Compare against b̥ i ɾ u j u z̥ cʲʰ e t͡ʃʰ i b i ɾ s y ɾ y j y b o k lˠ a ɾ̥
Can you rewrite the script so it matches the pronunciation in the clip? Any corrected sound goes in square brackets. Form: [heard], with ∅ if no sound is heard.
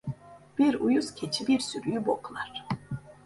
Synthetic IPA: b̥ i ɾ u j u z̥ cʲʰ e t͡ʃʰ i b i ɾ s y ɾ y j y b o k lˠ a ɾ̥